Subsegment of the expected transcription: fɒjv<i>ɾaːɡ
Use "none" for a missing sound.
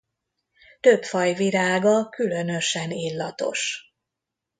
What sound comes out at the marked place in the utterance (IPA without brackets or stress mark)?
i